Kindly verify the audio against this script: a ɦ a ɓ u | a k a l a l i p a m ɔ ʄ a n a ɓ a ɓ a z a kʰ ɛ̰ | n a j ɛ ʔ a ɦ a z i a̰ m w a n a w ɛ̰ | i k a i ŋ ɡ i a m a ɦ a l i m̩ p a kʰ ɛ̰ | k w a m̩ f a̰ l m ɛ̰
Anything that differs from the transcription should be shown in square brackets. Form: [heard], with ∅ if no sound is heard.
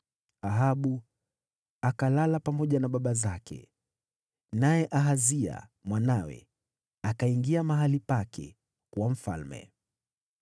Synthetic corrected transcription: a ɦ a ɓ u | a k a l a l [a] p a m ɔ ʄ a n a ɓ a ɓ a z a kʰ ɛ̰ | n a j ɛ ʔ a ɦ a z i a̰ m w a n a w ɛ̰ | [a] k a i ŋ ɡ i a m a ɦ a l i [∅] p a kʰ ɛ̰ | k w a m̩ f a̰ l m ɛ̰